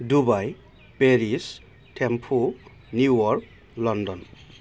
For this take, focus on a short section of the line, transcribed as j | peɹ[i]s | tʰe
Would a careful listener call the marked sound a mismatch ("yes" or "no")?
no